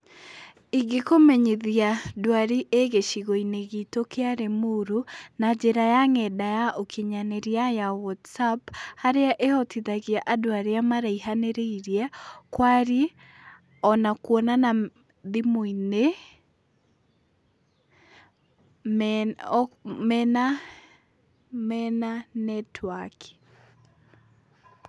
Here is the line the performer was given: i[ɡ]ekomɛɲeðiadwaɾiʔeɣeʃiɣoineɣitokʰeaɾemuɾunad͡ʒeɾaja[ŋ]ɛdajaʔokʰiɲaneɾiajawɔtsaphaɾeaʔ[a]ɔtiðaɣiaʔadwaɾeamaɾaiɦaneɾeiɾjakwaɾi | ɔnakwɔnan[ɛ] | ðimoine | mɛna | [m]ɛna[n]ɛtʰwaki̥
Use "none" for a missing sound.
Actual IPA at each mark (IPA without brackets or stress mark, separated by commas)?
ɡ, ŋ, e, a, m, n